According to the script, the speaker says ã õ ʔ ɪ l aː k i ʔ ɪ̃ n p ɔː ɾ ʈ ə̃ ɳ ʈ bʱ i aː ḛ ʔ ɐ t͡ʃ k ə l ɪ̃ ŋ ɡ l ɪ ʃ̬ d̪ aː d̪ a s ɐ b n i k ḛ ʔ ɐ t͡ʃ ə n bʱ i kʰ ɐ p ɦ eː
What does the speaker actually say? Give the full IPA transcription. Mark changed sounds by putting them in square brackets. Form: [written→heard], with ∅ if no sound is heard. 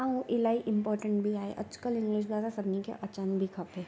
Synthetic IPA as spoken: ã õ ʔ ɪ l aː [k→∅] i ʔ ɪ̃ [n→m] p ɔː ɾ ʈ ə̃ ɳ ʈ bʱ i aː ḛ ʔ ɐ t͡ʃ k ə l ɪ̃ ŋ ɡ l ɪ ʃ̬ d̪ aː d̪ a s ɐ b n i k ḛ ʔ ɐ t͡ʃ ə n bʱ i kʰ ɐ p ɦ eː